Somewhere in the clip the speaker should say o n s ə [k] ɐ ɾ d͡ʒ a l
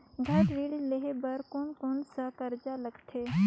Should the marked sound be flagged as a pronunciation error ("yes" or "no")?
no